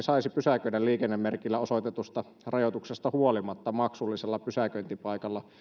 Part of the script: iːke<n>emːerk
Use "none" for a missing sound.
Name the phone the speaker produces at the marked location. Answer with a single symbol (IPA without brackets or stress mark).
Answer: nː